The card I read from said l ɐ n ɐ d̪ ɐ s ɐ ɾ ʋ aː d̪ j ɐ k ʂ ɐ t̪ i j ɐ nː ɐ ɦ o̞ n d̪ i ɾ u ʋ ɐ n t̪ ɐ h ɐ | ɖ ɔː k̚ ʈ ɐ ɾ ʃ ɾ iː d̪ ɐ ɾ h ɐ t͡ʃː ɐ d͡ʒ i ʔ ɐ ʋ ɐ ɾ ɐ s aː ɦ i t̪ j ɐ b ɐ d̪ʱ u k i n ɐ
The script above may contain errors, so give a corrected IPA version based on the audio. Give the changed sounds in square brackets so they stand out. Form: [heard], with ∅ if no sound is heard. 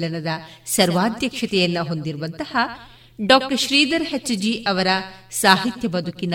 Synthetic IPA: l ɐ n ɐ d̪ ɐ s ɐ ɾ ʋ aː d̪ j ɐ k ʂ ɐ t̪ [ɛ] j ɐ nː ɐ ɦ o̞ n d̪ i ɾ u ʋ ɐ n t̪ ɐ h ɐ | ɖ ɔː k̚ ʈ ɐ ɾ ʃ ɾ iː d̪ ɐ ɾ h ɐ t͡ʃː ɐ d͡ʒ i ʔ ɐ ʋ ɐ ɾ ɐ s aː ɦ i t̪ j ɐ b ɐ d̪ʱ u k i n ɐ